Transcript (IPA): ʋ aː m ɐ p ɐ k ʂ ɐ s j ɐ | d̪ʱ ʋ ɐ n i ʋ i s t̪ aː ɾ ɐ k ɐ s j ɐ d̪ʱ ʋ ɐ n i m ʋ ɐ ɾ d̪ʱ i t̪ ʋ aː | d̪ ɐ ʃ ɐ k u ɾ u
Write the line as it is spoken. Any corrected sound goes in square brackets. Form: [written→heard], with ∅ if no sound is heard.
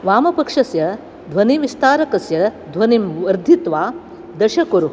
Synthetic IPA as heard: ʋ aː m ɐ p ɐ k ʂ ɐ s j ɐ | d̪ʱ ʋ ɐ n i ʋ i s t̪ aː ɾ ɐ k ɐ s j ɐ d̪ʱ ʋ ɐ n i m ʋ ɐ ɾ d̪ʱ i t̪ ʋ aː | d̪ ɐ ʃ ɐ k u ɾ u